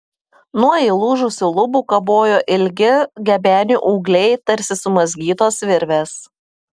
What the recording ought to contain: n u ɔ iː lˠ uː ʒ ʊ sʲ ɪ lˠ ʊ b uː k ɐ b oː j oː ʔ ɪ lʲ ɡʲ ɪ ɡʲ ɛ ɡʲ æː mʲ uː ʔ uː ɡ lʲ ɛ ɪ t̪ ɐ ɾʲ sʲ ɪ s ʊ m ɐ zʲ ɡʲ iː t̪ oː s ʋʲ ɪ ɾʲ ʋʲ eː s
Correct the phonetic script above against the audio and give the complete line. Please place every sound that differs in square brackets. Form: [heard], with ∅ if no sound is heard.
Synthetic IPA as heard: n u ɔ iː lˠ uː ʒ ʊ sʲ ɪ lˠ ʊ b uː k ɐ b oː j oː ʔ ɪ lʲ ɡʲ ɪ ɡʲ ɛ [bʲ] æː [nʲ] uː ʔ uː ɡ lʲ ɛ ɪ t̪ ɐ ɾʲ sʲ ɪ s ʊ m ɐ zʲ ɡʲ iː t̪ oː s ʋʲ ɪ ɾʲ ʋʲ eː s